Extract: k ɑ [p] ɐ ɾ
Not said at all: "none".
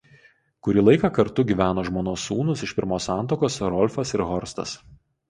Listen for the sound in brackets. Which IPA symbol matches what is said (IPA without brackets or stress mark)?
k